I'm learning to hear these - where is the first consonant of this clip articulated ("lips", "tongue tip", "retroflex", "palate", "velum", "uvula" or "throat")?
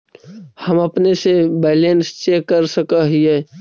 throat